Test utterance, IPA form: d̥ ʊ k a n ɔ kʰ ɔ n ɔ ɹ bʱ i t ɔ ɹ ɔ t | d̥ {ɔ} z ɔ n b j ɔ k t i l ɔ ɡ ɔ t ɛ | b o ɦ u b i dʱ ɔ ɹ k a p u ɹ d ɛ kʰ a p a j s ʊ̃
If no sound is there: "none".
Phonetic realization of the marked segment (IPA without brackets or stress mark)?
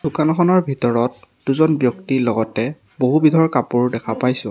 u